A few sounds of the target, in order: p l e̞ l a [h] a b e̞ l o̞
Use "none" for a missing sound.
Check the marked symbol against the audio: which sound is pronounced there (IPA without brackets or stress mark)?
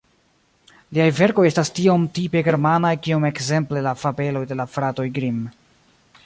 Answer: f